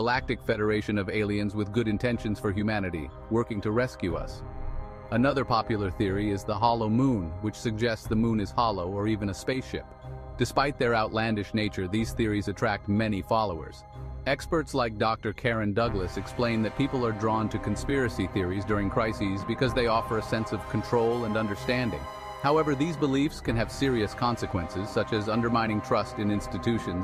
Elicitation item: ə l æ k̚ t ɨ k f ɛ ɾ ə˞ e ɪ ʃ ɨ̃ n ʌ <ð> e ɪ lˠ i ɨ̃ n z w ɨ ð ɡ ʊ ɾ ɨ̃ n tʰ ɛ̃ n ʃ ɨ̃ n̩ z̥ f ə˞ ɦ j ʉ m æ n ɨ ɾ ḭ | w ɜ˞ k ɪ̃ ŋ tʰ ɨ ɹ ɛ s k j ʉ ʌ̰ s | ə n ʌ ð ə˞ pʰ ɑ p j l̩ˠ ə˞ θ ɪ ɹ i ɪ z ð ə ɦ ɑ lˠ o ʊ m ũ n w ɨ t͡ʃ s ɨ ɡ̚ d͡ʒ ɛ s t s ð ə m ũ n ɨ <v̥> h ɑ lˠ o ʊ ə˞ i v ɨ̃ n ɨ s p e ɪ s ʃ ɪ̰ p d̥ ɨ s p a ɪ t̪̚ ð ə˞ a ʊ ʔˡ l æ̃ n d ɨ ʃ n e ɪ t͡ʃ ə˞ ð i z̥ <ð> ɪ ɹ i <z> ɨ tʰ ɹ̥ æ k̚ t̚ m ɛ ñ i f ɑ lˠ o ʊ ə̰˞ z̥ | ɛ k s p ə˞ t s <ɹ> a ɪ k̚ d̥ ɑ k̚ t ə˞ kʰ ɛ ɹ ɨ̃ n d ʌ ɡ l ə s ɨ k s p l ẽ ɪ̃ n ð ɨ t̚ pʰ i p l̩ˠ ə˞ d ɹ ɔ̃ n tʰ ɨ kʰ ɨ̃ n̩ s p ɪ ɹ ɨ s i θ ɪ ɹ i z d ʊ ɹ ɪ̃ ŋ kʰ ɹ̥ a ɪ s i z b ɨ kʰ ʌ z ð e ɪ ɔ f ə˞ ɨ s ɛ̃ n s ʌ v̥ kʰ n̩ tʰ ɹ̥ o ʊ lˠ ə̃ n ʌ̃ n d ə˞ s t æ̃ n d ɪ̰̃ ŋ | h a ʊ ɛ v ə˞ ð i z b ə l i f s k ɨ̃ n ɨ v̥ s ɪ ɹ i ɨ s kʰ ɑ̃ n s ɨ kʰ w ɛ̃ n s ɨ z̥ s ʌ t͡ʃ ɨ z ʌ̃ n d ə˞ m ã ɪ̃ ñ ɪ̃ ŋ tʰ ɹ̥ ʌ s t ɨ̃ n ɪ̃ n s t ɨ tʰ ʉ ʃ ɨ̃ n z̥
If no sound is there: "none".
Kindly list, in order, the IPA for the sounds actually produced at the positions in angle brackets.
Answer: v, z̥, θ, z, l

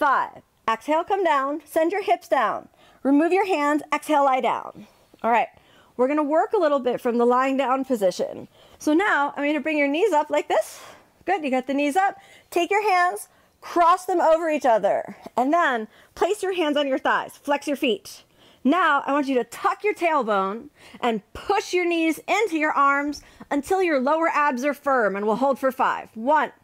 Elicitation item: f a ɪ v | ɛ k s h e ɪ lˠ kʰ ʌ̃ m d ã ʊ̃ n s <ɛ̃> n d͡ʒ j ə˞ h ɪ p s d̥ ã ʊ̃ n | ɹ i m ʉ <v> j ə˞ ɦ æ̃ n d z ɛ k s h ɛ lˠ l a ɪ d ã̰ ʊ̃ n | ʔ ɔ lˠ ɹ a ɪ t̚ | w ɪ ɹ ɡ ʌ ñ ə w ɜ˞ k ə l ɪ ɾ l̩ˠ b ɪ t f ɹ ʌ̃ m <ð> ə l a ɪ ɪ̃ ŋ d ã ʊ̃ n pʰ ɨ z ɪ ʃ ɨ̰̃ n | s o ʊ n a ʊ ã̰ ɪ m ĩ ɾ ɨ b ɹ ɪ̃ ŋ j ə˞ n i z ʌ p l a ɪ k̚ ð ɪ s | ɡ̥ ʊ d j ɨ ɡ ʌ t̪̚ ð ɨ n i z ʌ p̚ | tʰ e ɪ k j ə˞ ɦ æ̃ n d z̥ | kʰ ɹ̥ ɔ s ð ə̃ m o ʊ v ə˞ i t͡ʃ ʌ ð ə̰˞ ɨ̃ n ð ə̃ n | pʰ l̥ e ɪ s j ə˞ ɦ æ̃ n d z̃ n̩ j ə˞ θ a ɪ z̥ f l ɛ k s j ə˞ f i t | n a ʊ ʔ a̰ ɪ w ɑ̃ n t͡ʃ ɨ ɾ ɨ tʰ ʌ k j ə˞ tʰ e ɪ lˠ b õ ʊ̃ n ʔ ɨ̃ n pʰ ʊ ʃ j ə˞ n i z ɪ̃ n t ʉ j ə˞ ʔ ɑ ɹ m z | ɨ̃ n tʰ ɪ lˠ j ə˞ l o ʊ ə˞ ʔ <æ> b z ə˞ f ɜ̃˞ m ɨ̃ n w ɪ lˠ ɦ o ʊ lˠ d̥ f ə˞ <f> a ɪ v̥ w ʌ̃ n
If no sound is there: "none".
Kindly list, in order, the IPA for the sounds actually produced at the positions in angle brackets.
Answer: ɛ̃, v, ð, æ, f

